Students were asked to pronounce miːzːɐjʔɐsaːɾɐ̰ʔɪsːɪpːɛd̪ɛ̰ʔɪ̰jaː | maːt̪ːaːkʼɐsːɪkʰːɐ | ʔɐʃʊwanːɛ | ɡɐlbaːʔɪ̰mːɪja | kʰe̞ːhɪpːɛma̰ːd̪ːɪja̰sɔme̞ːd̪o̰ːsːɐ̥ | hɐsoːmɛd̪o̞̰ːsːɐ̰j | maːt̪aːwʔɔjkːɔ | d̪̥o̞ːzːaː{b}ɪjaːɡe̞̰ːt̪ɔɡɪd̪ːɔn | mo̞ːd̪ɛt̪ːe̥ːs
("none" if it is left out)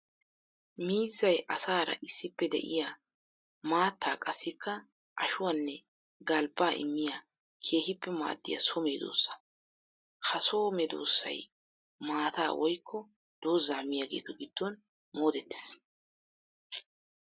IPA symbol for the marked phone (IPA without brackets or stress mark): m